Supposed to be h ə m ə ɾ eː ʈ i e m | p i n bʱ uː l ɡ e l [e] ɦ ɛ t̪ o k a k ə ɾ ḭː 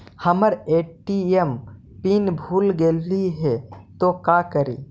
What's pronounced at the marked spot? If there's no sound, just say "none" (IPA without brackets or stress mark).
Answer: i